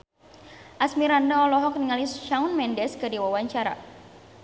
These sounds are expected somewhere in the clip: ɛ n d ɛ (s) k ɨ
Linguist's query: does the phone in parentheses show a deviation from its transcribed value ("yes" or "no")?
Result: no